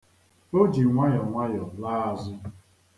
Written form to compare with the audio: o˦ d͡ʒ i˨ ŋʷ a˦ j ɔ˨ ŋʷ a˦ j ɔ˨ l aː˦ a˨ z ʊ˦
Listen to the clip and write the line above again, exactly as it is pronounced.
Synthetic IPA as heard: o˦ d͡ʒ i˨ ŋʷ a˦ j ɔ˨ ŋʷ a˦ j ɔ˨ l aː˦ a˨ z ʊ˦